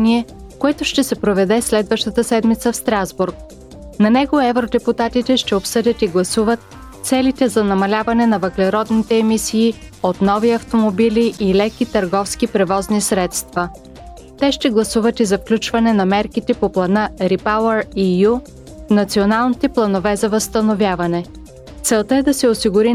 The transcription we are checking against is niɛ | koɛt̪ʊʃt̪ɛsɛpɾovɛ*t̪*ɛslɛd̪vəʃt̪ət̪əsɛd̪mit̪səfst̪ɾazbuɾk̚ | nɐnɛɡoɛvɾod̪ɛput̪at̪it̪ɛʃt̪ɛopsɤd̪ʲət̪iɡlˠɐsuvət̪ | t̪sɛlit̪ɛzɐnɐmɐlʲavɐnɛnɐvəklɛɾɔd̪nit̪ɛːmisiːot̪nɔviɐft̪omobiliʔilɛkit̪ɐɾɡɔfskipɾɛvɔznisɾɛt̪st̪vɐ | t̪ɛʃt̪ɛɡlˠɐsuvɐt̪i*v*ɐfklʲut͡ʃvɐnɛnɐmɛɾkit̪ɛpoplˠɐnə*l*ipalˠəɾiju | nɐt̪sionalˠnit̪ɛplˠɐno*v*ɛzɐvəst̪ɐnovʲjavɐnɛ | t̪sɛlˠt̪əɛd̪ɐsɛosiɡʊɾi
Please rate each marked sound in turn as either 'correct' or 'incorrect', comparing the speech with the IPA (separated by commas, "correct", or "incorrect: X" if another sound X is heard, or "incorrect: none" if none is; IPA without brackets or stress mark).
incorrect: d̪, incorrect: z, incorrect: ɾ, correct